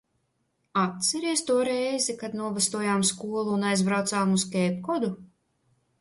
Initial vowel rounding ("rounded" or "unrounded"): unrounded